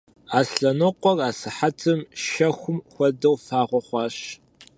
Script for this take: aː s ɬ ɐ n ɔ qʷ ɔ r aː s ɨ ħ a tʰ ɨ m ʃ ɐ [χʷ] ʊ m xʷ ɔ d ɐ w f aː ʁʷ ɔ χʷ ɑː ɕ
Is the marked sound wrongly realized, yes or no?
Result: yes